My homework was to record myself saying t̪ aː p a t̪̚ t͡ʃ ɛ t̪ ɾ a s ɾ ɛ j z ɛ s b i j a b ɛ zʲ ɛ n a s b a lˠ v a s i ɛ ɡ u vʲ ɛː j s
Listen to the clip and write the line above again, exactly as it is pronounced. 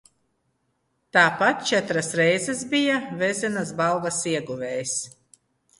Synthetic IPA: t̪ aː p a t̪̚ t͡ʃ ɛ t̪ ɾ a s ɾ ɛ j z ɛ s b i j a v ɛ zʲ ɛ n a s b a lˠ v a s i ɛ ɡ u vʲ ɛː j s